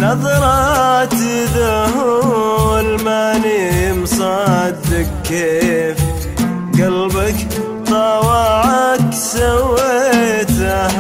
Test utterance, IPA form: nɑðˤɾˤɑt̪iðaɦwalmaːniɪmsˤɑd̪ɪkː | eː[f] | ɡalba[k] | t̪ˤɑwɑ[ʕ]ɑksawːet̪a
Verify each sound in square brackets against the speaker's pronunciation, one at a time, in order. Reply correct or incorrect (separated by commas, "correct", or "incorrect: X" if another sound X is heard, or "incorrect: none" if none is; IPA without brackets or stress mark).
correct, correct, correct